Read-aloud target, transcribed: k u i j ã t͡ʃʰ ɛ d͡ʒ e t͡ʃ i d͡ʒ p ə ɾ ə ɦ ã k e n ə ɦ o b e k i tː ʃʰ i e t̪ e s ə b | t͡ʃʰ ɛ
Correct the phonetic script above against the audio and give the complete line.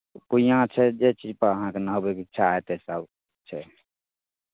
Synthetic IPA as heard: k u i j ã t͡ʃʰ ɛ d͡ʒ e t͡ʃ i d͡ʒ p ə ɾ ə ɦ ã k e n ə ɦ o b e k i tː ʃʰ a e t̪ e s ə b | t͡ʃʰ ɛ